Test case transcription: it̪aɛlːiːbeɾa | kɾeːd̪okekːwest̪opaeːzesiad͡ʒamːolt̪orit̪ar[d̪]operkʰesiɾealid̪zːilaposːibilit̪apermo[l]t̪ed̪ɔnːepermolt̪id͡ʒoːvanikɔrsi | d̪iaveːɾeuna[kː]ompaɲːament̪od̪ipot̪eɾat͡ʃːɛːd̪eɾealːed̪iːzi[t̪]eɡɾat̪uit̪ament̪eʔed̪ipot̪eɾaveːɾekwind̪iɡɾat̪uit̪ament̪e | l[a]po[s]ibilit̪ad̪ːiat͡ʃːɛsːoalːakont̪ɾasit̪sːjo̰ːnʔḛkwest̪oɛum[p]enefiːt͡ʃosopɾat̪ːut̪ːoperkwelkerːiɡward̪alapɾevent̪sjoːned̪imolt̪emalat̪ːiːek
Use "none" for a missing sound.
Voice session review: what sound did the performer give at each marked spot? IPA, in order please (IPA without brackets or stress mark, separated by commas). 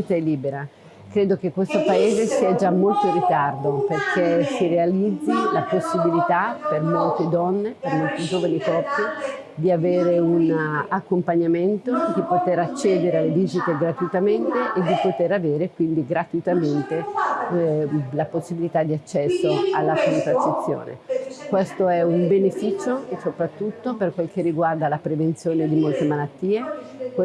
d̪, l, kː, t̪, a, sː, b